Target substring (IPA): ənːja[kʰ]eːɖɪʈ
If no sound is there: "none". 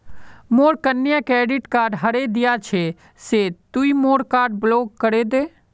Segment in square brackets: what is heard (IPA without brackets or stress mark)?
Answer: k